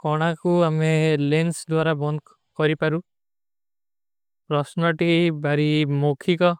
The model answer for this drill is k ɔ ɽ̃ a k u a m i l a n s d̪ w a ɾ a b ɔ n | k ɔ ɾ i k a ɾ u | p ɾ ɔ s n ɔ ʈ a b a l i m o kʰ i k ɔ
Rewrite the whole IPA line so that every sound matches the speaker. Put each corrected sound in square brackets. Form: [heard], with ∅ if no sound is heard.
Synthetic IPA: k ɔ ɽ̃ a k u a m [e] l [e] n s d̪ w a ɾ a b ɔ n | k ɔ ɾ i [p] a ɾ u | p ɾ ɔ s n ɔ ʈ [i] b a [ɾ] i m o kʰ i k ɔ